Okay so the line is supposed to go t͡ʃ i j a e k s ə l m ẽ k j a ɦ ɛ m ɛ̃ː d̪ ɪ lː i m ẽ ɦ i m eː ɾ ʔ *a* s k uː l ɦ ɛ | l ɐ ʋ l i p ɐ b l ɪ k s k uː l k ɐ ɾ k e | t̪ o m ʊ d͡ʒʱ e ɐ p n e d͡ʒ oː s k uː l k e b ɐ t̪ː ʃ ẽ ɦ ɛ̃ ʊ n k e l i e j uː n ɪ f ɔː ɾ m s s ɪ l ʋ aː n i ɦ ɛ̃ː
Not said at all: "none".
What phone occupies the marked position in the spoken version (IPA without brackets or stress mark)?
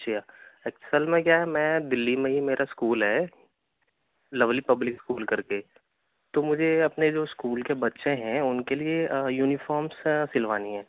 a